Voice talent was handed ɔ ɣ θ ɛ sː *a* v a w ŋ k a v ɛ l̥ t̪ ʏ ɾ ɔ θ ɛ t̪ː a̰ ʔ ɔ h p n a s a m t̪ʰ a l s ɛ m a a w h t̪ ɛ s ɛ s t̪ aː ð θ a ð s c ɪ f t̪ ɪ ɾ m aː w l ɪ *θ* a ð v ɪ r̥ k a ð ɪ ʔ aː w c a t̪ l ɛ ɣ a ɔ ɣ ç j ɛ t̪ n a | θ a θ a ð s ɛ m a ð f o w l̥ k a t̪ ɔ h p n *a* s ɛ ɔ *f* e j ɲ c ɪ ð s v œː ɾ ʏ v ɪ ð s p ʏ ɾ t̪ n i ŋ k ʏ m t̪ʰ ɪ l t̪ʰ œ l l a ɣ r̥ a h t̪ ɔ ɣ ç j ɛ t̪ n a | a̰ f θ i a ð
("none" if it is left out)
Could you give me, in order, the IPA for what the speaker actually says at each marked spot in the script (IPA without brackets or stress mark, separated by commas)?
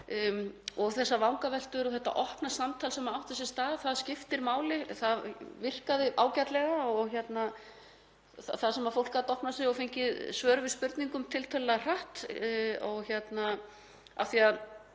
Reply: a, θ, a, f